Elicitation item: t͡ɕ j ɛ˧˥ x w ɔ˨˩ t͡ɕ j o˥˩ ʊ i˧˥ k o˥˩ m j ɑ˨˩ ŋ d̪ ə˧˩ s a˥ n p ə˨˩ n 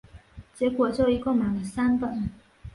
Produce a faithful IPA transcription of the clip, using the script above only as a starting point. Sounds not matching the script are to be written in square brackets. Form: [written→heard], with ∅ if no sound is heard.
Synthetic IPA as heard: t͡ɕ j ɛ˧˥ [x→k] w ɔ˨˩ t͡ɕ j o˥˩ ʊ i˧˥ k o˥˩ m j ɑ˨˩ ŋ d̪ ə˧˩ s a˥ n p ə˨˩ n